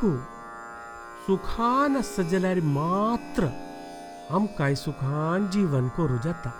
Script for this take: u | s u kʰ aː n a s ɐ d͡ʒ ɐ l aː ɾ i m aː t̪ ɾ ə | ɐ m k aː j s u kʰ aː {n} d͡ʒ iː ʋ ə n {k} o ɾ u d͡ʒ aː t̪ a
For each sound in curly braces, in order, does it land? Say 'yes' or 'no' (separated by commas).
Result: yes, yes